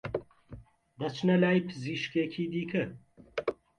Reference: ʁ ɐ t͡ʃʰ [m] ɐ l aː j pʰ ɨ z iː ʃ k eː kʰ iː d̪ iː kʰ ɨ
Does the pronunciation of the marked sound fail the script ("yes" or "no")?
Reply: yes